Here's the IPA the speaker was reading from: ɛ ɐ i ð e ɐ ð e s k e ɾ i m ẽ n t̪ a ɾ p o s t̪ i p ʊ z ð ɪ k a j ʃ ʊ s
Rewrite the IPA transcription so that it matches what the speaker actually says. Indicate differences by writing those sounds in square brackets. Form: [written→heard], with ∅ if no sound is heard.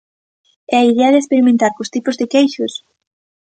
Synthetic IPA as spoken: ɛ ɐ i ð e ɐ ð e s [k→p] e ɾ i m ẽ n t̪ a ɾ [p→k] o s t̪ i p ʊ z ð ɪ k [a→e] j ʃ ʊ s

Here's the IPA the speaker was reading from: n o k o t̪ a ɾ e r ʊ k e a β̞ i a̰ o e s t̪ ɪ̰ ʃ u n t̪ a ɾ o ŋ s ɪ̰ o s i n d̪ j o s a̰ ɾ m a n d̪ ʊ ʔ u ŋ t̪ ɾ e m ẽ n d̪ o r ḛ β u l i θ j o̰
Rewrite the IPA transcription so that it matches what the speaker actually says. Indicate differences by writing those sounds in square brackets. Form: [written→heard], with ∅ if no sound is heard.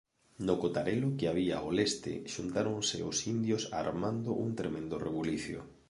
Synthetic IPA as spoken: n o k o t̪ a ɾ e [r→l] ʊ k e a β̞ i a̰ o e s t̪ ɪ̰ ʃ u n t̪ a ɾ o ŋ s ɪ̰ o s i n d̪ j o s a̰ ɾ m a n d̪ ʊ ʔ u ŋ t̪ ɾ e m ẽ n d̪ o r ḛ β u l i θ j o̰

